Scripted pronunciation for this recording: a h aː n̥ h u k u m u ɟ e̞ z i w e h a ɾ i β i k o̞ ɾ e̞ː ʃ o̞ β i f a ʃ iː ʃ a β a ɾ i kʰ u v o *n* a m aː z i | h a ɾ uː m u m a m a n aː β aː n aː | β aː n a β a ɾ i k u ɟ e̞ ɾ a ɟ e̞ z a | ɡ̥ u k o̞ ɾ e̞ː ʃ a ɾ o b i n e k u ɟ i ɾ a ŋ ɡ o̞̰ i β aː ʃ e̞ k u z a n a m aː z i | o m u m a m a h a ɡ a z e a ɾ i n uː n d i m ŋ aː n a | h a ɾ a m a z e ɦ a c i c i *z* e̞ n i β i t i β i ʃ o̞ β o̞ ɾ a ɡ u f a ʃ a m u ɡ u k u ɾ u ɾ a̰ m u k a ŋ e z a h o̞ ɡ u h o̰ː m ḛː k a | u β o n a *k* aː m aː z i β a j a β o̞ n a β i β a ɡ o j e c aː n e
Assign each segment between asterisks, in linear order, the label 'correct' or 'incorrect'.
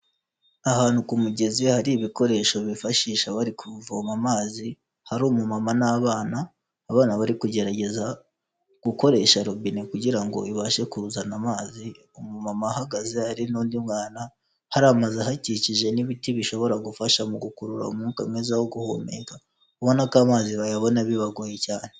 incorrect, incorrect, correct

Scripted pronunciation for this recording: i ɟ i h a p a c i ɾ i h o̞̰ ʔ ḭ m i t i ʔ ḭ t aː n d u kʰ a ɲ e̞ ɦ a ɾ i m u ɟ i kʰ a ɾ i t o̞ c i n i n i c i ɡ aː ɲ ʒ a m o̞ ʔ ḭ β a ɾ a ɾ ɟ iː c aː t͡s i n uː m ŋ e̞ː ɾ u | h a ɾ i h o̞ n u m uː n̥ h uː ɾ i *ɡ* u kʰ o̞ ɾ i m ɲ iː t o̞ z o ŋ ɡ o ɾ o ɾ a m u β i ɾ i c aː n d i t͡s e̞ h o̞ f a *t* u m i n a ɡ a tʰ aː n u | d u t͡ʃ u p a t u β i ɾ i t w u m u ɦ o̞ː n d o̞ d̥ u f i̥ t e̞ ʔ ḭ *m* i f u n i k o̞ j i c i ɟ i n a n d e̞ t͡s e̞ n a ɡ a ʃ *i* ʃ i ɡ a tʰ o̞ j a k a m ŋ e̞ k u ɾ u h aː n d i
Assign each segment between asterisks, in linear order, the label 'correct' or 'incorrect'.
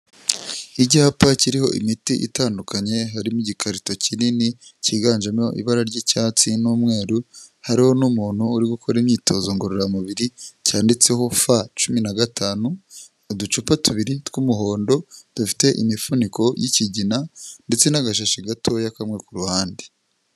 correct, incorrect, correct, incorrect

